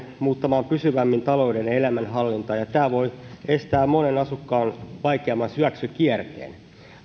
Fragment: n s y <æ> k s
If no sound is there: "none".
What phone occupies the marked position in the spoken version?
æ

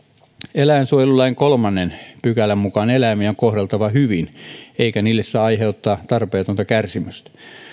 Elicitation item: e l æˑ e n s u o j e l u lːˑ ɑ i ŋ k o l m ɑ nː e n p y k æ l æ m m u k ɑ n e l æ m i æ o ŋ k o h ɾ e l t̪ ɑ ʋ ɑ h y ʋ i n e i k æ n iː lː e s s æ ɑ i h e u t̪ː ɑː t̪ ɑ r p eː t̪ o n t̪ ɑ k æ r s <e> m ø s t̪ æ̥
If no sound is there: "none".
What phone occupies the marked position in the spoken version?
i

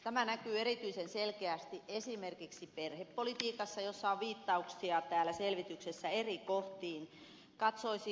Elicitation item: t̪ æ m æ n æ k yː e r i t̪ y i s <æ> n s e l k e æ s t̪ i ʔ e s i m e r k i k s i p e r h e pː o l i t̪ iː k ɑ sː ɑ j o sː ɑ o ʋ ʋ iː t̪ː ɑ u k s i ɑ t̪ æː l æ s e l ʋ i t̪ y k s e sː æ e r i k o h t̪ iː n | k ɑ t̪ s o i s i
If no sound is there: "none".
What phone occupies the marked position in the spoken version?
e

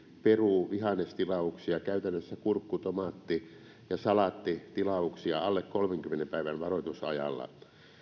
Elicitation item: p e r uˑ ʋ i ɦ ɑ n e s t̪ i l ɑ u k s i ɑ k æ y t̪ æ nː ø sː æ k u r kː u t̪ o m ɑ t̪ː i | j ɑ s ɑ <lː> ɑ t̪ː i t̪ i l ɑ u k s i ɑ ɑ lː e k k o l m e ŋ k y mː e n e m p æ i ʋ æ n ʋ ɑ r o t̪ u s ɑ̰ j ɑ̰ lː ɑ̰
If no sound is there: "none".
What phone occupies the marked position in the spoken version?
l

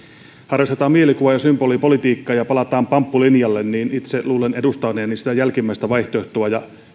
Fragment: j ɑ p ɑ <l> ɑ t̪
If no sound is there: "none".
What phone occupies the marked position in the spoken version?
l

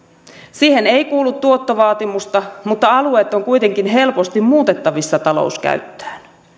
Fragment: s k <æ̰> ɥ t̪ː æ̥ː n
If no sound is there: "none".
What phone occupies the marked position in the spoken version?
æ̰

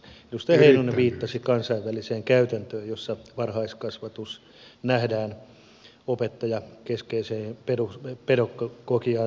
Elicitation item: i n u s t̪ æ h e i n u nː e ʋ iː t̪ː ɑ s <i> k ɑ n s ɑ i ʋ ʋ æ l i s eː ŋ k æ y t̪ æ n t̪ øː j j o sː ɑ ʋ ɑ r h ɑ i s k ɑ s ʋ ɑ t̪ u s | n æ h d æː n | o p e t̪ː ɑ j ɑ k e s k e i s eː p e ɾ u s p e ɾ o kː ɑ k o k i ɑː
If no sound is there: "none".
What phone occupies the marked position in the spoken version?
i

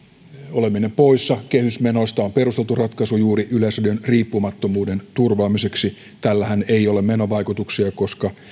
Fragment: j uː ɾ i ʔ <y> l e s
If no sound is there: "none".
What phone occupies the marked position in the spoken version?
y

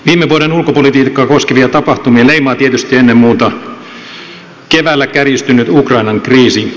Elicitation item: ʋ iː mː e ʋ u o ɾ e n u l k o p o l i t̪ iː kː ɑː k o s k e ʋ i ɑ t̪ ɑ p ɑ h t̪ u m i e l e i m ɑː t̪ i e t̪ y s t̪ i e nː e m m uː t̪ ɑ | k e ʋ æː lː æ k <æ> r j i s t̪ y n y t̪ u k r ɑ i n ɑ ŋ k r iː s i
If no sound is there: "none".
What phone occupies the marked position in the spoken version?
æ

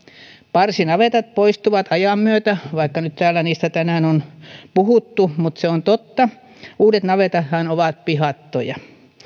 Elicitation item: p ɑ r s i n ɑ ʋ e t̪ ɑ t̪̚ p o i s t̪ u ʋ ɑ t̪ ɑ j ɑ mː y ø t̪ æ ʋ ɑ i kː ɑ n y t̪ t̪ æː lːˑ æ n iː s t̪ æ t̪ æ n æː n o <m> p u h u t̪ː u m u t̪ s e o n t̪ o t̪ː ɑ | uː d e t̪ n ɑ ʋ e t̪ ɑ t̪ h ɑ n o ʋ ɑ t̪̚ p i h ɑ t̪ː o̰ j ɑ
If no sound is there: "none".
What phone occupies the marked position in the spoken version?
n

